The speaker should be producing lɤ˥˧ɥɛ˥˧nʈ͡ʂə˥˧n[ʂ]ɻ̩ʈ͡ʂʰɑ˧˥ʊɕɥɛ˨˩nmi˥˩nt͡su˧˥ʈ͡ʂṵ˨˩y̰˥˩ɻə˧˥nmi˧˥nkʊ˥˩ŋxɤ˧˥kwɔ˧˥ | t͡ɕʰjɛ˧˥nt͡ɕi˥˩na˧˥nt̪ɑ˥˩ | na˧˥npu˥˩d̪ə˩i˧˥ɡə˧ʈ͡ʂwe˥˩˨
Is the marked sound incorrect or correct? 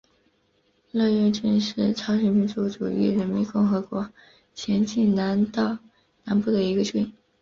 correct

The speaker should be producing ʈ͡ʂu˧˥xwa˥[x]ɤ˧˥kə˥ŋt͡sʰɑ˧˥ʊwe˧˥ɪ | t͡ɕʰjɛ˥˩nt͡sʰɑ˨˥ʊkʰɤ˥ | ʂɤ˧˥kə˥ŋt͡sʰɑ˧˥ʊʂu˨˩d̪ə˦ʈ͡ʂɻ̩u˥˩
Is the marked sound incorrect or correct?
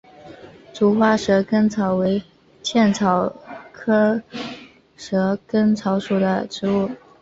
incorrect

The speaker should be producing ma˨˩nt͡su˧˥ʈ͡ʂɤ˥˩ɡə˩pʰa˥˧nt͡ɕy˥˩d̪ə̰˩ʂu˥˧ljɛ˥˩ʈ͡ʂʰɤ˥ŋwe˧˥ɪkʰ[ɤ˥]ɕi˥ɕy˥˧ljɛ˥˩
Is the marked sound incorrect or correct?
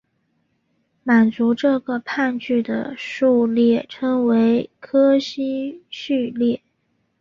correct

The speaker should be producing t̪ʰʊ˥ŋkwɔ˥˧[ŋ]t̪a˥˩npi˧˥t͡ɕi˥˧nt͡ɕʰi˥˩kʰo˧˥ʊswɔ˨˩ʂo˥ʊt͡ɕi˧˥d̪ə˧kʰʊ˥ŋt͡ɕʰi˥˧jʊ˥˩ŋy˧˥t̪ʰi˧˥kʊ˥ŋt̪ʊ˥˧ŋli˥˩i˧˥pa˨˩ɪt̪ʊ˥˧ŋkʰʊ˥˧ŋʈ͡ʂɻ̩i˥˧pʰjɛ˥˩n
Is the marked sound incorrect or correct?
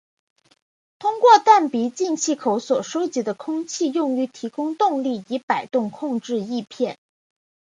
incorrect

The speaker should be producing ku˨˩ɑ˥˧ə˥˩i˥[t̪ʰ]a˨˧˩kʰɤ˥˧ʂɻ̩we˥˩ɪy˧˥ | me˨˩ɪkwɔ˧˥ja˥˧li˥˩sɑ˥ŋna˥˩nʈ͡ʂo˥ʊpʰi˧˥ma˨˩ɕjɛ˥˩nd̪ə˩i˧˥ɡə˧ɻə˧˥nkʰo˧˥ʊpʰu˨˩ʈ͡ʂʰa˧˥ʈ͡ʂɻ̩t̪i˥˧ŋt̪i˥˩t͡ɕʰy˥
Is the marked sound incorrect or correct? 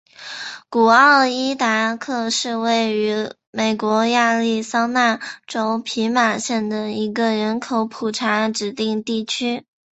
incorrect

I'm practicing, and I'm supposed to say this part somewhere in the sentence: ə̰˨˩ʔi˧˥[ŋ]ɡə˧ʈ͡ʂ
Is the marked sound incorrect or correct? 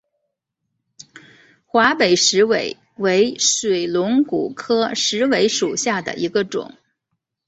incorrect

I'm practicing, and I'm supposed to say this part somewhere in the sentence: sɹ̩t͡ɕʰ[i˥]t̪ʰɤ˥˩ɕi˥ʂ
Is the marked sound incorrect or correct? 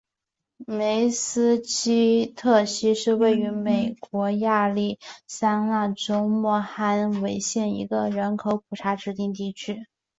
correct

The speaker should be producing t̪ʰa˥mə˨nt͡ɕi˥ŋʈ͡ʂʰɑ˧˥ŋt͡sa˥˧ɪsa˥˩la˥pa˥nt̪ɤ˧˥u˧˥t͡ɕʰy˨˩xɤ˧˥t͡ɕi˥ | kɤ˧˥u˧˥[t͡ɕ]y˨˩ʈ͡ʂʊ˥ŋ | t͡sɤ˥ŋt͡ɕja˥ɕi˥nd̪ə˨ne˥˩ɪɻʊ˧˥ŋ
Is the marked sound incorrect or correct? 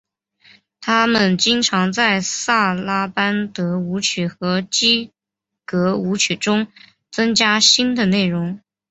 incorrect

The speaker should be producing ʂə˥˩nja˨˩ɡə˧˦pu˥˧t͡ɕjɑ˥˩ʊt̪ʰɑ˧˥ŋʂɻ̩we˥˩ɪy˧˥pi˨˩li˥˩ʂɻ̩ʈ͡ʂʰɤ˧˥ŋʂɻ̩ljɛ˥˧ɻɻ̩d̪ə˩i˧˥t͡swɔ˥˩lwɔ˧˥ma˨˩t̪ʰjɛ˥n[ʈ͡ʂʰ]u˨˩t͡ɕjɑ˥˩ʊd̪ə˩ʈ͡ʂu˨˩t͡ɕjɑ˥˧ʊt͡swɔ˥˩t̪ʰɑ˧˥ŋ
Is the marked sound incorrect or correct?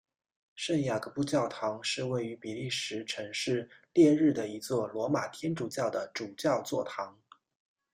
incorrect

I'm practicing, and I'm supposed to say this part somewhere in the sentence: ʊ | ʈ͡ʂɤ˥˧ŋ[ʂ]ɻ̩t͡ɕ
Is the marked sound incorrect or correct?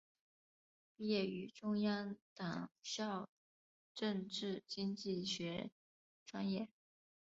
incorrect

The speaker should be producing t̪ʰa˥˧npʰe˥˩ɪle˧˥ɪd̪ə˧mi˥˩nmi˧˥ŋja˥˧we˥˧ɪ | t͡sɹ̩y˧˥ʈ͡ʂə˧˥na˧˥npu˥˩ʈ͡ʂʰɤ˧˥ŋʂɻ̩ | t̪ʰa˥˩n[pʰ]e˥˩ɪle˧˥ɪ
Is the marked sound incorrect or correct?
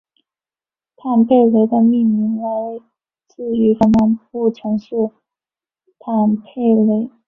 correct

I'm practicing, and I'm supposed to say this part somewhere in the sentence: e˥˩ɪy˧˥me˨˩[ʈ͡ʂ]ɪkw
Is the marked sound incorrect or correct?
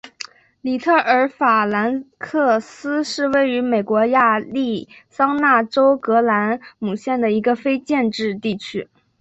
incorrect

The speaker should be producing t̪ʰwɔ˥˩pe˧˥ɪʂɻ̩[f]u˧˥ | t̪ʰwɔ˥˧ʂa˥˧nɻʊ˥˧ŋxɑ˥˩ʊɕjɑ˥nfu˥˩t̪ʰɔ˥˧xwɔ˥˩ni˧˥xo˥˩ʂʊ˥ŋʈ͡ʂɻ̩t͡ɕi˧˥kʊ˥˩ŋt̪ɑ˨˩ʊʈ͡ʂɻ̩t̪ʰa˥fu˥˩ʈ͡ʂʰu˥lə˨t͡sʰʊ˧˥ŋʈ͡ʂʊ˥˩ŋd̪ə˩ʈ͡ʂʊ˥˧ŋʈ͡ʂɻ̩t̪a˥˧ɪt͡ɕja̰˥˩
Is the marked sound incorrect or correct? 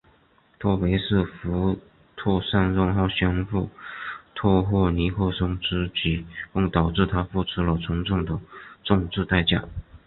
correct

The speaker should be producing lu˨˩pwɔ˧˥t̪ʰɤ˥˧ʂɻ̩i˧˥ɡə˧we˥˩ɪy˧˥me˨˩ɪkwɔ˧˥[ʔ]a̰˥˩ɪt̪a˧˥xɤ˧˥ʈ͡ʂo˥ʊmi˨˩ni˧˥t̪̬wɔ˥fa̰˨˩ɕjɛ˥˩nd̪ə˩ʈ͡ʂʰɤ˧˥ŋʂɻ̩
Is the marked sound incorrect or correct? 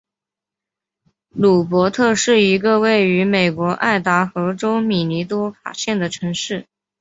correct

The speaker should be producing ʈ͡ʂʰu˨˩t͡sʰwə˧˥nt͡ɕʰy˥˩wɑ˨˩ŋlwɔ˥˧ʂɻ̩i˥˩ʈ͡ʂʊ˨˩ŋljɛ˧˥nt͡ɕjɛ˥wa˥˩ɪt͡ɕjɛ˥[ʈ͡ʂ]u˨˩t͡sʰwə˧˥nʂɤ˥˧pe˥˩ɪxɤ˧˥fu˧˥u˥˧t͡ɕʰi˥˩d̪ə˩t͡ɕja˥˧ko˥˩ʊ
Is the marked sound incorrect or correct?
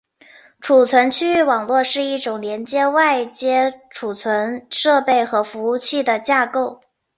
incorrect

